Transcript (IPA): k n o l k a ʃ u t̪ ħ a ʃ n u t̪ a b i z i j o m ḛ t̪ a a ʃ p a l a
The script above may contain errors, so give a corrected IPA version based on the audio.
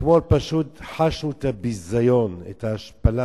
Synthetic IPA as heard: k m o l p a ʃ u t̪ ħ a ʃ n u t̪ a b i z a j o n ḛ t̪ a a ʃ p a l a